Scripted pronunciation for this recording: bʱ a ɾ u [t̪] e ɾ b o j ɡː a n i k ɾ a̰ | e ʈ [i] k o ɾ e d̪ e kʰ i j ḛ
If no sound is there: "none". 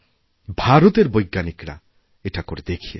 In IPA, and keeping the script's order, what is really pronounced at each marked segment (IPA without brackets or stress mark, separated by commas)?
t̪, a